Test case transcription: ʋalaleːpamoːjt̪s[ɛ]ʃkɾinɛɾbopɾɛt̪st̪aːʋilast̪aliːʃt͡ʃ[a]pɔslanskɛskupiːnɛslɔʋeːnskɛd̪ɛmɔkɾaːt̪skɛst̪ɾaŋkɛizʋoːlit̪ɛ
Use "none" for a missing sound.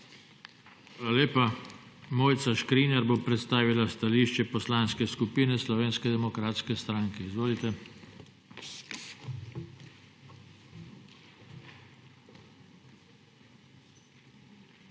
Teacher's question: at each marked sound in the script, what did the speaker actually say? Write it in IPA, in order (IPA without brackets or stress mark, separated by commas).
a, ɛ